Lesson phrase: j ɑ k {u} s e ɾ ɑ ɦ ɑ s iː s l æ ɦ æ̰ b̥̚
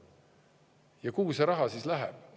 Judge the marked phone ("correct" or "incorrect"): incorrect